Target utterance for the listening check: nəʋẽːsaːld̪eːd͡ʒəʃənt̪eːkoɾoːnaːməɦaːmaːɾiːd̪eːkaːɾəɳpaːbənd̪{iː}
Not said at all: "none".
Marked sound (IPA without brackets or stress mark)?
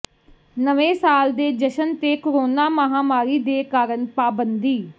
iː